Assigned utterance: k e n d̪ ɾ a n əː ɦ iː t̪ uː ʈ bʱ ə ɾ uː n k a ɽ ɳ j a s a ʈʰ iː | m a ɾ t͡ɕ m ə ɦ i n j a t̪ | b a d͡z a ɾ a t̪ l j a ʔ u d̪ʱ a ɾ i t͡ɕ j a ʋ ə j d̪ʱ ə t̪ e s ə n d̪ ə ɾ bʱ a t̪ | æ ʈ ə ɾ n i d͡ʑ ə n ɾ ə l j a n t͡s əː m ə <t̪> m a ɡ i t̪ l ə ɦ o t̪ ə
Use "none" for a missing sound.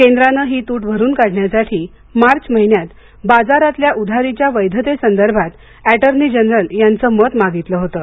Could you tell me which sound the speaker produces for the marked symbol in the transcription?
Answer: t̪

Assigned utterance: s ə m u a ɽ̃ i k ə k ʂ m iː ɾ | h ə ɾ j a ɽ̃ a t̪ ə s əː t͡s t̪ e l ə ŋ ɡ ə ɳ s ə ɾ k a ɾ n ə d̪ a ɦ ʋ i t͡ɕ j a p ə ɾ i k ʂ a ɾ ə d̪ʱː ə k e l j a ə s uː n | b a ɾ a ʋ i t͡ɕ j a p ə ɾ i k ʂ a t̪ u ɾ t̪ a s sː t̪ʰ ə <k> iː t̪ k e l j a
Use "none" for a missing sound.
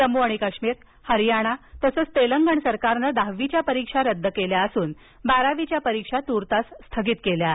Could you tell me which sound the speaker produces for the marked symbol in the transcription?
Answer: ɡ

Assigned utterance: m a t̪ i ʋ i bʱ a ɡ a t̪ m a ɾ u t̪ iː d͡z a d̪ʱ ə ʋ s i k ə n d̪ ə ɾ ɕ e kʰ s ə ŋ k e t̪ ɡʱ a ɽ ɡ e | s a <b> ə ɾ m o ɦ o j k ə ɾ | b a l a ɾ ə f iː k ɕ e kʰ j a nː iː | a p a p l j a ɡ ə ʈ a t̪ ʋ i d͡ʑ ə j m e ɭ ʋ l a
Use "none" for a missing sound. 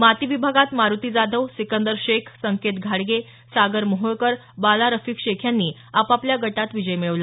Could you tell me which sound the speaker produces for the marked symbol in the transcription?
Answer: ɡ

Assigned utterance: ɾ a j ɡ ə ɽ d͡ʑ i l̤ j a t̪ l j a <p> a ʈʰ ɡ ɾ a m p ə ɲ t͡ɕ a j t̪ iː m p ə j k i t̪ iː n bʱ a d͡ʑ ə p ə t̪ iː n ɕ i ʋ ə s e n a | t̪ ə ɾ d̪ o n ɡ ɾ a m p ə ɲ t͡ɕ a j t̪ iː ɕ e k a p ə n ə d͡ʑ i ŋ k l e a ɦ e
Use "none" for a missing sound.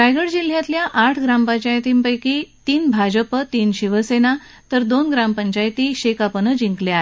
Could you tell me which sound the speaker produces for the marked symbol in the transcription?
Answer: ʔ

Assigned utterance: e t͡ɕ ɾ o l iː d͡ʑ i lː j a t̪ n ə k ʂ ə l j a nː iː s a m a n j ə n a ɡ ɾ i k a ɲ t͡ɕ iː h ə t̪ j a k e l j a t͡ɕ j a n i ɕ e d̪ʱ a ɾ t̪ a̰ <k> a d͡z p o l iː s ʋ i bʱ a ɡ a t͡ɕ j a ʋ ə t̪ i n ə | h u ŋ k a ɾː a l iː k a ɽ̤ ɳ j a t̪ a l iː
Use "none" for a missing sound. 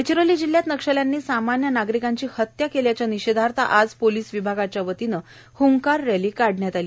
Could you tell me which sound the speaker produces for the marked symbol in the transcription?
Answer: ʔ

